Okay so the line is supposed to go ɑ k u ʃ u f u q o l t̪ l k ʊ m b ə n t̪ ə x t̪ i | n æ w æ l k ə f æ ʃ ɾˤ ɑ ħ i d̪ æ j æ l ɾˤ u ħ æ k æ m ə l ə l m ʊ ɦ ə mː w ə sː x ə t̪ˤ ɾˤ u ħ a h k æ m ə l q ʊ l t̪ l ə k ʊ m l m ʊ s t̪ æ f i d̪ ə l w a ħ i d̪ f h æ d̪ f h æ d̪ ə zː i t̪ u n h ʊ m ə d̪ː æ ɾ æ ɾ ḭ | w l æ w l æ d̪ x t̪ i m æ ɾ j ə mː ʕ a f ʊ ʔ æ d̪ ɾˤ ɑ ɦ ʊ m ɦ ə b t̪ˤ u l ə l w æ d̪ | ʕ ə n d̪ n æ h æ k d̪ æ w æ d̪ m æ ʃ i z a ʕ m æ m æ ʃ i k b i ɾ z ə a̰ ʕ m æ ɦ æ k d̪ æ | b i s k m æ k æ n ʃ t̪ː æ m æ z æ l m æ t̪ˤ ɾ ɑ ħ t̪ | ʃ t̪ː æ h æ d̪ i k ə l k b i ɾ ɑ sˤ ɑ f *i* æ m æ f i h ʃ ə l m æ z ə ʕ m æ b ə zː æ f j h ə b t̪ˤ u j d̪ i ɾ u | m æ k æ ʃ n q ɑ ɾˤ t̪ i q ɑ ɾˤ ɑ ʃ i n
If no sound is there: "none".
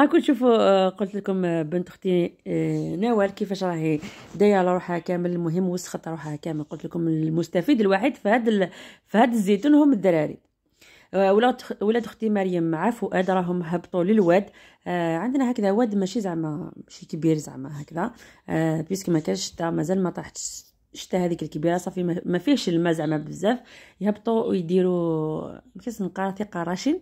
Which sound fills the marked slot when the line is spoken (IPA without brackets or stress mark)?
i